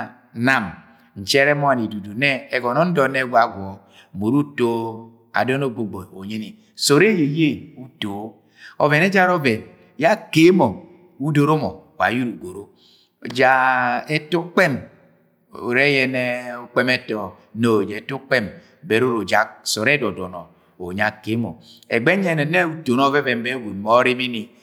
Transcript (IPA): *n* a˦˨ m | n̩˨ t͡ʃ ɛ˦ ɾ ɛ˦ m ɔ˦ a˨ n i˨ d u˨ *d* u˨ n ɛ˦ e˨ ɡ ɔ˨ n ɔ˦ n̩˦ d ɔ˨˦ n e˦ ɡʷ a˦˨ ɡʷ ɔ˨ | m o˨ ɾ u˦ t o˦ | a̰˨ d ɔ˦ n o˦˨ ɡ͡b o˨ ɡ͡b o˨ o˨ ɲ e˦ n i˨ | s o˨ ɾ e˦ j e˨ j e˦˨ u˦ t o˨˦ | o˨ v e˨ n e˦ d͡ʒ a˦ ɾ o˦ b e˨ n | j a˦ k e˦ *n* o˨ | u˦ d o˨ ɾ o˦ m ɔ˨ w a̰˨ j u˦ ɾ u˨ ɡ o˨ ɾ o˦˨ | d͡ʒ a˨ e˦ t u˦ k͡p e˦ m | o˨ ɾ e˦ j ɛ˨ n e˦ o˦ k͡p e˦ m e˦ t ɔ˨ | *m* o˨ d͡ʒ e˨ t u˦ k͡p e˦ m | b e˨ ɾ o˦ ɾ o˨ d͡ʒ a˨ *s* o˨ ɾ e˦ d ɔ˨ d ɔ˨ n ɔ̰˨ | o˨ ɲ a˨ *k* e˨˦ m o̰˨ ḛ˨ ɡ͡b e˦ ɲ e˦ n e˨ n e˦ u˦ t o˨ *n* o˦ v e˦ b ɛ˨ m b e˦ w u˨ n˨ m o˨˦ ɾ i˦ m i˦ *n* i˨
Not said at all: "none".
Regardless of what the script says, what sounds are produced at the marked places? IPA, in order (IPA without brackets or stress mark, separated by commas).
n, d, m, n, s, k, n, n